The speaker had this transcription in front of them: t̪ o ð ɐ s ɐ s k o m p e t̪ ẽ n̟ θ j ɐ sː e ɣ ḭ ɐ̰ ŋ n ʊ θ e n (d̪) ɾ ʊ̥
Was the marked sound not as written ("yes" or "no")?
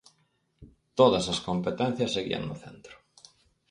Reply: yes